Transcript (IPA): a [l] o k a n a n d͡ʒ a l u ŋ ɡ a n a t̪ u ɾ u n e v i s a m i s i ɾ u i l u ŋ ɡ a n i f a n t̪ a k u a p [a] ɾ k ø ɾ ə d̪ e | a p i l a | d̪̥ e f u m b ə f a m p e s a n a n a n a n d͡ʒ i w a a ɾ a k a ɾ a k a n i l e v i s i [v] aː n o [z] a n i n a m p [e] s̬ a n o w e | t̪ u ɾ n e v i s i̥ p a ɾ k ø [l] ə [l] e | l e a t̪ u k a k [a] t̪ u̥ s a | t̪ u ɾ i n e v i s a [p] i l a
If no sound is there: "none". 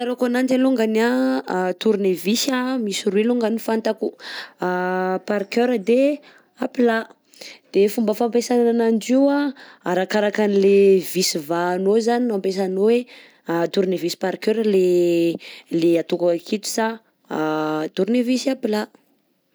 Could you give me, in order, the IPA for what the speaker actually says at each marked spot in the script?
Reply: ɾ, a, v, z, e, ɾ, l, i, p

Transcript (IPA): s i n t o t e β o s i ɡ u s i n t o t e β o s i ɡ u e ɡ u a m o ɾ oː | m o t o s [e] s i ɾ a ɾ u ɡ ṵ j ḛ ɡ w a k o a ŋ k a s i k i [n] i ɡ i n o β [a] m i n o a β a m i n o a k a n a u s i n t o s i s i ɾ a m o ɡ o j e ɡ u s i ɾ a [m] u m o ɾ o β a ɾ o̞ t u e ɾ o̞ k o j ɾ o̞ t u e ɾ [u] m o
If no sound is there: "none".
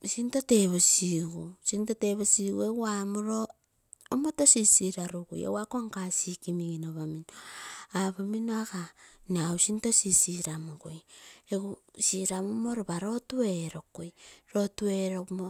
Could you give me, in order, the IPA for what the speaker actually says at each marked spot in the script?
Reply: i, m, a, m, o

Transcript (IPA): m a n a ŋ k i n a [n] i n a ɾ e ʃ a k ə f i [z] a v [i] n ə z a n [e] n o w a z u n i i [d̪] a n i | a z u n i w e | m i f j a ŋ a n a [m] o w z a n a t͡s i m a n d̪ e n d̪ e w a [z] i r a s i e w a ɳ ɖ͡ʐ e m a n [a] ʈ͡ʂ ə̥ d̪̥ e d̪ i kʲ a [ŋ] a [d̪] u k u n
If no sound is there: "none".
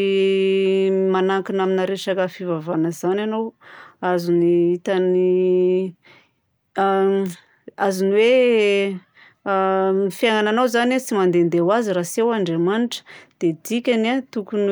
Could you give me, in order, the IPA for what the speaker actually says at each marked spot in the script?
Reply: m, v, a, a, t̪, n, z, i, n, t̪

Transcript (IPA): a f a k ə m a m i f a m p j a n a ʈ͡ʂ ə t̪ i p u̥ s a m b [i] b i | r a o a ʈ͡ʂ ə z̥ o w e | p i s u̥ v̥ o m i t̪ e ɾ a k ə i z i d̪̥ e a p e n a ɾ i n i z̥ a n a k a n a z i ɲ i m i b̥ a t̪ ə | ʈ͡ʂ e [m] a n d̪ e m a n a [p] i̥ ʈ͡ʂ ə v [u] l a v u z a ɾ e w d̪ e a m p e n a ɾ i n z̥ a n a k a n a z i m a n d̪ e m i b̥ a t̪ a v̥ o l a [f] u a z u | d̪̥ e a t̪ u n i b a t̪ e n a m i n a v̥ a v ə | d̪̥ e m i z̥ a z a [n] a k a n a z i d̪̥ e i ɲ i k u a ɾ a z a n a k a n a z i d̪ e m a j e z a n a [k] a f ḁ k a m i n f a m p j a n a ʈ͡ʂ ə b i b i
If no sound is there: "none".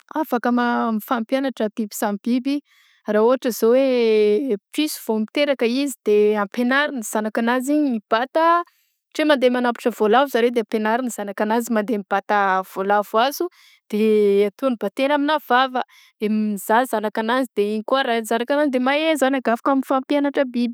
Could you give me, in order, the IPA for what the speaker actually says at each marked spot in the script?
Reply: i, m, p, o, v, n, ɡ

